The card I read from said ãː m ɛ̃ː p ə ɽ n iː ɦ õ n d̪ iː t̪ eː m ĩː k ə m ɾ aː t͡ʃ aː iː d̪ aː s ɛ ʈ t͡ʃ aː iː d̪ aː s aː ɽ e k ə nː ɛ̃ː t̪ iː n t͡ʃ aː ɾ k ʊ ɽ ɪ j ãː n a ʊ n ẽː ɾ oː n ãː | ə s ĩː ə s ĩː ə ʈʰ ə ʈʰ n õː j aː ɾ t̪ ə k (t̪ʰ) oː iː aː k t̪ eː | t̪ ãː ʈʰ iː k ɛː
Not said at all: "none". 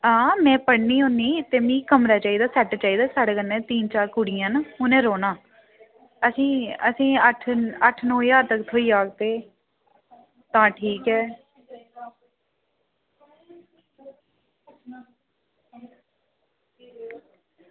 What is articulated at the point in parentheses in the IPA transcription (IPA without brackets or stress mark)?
t̪ʰ